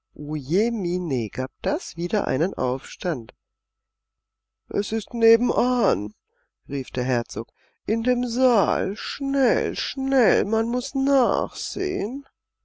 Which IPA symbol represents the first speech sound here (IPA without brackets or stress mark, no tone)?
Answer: ʔ